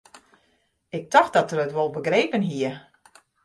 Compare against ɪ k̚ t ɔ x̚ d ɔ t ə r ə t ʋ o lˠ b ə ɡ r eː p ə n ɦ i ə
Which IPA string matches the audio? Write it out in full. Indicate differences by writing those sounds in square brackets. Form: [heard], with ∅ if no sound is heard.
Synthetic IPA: ɪ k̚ t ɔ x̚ d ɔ t ə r ə t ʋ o lˠ b ə ɡ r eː p ə n ɦ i ə